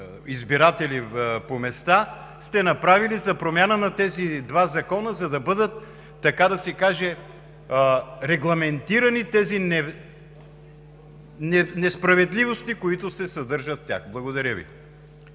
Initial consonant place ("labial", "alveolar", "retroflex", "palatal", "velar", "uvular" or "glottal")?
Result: alveolar